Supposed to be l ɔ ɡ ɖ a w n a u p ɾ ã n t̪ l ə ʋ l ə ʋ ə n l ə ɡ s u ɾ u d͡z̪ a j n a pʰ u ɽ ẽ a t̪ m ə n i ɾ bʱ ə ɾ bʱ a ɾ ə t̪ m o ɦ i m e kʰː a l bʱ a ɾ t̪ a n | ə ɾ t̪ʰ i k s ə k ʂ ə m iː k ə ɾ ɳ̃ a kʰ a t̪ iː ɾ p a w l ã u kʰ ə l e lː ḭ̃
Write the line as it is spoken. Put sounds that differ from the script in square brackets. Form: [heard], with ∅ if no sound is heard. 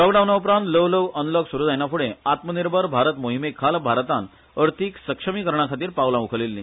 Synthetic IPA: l ɔ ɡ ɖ a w n a u p ɾ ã n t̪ l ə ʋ l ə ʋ ə n l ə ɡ s u ɾ u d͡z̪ a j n a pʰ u ɽ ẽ a t̪ m ə n i ɾ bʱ ə ɾ bʱ a ɾ ə t̪ m o ɦ i m e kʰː a l bʱ a ɾ t̪ a n | ə ɾ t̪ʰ i k s ə k ʂ ə m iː k ə ɾ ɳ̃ a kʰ a t̪ iː ɾ p a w l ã u kʰ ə l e lː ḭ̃